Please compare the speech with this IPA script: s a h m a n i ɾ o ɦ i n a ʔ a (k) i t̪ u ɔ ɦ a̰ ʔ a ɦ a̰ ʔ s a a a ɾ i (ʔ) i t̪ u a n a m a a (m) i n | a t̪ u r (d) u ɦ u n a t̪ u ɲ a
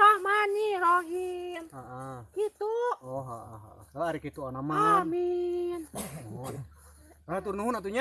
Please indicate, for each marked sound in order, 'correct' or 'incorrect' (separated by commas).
correct, incorrect, correct, incorrect